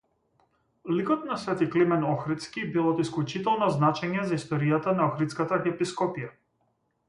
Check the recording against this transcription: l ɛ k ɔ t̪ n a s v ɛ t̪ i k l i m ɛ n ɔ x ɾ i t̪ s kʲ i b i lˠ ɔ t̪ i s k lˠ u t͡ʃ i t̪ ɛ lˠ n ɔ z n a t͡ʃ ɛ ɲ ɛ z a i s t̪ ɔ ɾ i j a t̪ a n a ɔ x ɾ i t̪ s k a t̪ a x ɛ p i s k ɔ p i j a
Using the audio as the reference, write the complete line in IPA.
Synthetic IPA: l i k ɔ t̪ n a s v ɛ t̪ i k l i m ɛ n ɔ x ɾ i t̪ s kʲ i b i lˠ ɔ t̪ i s k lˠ u t͡ʃ i t̪ ɛ lˠ n ɔ z n a t͡ʃ ɛ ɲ ɛ z a i s t̪ ɔ ɾ i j a t̪ a n a ɔ x ɾ i t̪ s k a t̪ a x ɛ p i s k ɔ p i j a